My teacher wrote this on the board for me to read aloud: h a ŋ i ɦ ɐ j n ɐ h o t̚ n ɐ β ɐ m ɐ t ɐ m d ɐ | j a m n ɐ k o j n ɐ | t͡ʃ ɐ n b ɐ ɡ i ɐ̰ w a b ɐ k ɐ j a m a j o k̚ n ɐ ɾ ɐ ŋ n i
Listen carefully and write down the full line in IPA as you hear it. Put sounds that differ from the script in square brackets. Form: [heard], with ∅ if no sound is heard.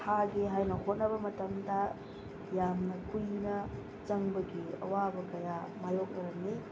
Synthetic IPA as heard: h a [ɡ] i ɦ [a] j n ɐ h o t̚ n ɐ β ɐ m ɐ t ɐ m d ɐ | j a m n ɐ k [u] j n ɐ | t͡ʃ ɐ [ŋ] b ɐ ɡ i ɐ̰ w a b ɐ k ɐ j a m a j o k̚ n ɐ ɾ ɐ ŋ n i